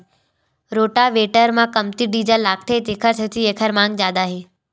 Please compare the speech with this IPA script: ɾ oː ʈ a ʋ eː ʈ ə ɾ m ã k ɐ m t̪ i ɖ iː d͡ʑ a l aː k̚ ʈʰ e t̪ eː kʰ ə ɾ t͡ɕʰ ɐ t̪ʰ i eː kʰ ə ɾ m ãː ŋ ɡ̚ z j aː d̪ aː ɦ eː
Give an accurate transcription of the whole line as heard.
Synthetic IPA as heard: ɾ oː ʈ a ʋ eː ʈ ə ɾ m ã k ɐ m t̪ i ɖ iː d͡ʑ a l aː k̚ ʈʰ e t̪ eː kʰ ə ɾ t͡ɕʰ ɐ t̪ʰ i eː kʰ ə ɾ m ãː ŋ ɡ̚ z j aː d̪ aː ɦ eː